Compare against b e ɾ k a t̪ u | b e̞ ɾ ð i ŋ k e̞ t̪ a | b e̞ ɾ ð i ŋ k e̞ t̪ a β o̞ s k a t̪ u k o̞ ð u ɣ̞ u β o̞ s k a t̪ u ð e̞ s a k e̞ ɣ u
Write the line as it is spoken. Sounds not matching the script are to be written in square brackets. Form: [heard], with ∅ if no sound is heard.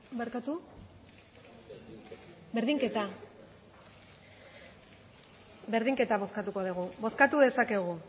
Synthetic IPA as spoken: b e ɾ k a t̪ u | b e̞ ɾ ð i ŋ k e̞ t̪ a | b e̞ ɾ ð i ŋ k e̞ t̪ a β o̞ s k a t̪ u k o̞ ð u ɣ̞ u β o̞ s k a t̪ u ð e̞ s a k e̞ ɣ u